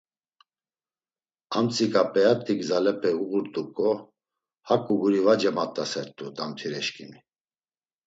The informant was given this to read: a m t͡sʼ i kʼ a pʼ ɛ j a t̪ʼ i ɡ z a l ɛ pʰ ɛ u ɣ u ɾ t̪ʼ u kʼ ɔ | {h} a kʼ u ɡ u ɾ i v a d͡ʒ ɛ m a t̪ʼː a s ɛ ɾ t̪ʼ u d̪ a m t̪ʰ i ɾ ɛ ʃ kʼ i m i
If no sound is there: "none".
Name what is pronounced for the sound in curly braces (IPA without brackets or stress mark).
h